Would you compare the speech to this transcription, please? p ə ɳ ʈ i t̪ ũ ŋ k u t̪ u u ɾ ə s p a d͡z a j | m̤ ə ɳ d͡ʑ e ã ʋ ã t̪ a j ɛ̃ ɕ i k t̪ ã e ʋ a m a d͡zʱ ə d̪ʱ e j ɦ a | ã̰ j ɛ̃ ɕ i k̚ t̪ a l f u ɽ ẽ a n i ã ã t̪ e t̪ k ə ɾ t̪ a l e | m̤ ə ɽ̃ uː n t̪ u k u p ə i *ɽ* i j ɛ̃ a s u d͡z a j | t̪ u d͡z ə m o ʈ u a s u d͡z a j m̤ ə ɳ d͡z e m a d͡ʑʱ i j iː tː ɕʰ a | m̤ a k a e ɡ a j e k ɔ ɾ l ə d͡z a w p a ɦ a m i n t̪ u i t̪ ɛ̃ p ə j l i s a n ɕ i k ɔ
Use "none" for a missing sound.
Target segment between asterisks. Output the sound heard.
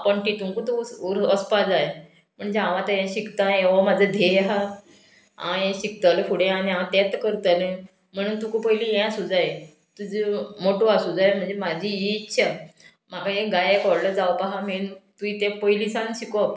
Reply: l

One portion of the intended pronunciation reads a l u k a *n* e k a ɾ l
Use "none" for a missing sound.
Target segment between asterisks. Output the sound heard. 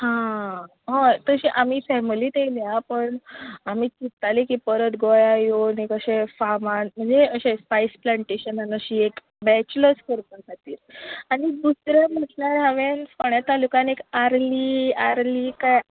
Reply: n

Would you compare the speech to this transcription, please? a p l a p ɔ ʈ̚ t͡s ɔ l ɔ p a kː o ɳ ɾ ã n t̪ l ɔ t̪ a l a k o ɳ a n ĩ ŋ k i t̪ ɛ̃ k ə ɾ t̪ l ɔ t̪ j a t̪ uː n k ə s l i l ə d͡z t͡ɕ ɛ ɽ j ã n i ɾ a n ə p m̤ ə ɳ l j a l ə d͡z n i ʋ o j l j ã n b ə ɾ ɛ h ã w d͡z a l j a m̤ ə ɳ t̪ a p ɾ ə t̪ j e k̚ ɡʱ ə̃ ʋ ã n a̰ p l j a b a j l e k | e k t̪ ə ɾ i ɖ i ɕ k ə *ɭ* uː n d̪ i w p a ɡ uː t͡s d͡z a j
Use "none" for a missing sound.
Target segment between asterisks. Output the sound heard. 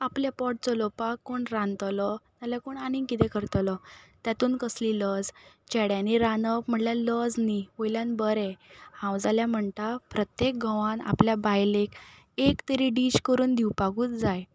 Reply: ɾ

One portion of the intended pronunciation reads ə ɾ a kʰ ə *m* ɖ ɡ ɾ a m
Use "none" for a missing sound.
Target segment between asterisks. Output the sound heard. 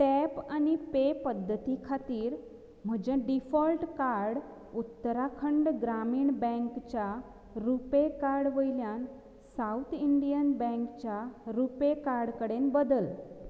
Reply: ɳ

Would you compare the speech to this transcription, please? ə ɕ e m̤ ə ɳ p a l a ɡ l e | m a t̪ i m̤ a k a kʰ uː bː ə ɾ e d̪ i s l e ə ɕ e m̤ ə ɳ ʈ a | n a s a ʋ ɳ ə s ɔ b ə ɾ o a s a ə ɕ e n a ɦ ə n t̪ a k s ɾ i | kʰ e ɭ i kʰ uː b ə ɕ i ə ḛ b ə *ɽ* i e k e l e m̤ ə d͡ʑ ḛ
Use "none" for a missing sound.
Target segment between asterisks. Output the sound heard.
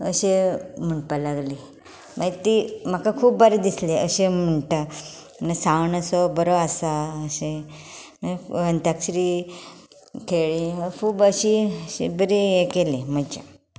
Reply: ɾ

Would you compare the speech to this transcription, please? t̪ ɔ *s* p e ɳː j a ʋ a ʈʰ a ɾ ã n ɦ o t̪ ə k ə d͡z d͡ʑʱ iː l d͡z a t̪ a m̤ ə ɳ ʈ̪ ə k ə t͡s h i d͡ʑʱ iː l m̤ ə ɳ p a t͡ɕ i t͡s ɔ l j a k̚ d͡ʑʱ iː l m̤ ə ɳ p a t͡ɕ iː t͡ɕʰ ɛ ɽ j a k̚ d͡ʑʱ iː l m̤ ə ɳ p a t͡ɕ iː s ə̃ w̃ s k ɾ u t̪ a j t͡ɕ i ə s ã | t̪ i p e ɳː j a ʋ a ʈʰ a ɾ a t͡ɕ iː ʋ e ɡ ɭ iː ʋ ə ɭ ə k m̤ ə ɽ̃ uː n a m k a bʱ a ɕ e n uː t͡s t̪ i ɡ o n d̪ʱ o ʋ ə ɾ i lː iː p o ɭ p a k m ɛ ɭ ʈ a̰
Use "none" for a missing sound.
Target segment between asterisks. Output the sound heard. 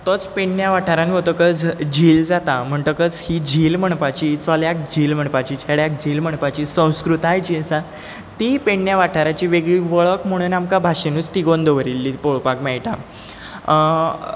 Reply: t͡s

